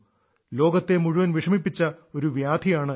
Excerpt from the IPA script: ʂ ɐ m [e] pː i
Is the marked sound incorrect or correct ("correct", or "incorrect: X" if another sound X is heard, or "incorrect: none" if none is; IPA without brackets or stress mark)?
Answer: incorrect: i